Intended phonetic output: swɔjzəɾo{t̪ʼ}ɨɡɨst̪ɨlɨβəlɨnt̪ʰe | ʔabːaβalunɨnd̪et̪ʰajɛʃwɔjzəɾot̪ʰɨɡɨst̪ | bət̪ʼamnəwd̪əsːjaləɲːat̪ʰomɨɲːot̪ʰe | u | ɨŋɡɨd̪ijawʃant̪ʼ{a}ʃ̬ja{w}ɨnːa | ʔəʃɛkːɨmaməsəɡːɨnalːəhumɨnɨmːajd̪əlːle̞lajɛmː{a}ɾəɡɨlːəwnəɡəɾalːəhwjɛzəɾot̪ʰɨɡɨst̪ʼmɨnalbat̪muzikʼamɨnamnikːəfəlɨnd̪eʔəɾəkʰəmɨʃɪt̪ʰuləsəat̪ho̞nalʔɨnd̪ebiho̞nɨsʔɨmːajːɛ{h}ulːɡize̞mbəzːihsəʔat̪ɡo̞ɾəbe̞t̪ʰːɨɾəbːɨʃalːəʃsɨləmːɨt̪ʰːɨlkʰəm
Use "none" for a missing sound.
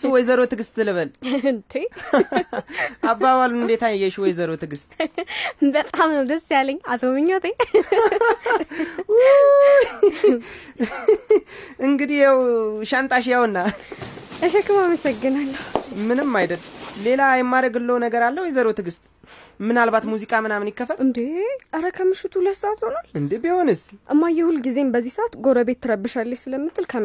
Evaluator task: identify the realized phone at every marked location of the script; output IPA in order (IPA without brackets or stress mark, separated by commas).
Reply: t̪, a, w, a, h